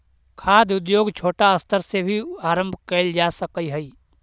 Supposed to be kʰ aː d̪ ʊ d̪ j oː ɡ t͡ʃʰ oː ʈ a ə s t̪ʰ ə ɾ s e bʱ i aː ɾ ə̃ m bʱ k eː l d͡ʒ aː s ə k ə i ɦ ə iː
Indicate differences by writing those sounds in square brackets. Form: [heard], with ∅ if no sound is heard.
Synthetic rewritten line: kʰ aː d̪ ʊ d̪ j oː ɡ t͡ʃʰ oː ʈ a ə s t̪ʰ ə ɾ s e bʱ i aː ɾ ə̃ m bʱ k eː l d͡ʒ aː s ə k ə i ɦ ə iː